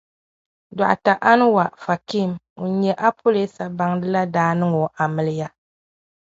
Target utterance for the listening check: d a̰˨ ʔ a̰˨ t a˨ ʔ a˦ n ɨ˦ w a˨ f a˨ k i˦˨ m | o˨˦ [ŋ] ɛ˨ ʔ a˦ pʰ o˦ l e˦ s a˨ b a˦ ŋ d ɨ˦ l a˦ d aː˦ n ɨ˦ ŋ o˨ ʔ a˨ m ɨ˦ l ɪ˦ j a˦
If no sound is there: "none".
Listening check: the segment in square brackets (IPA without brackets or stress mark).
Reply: ɲ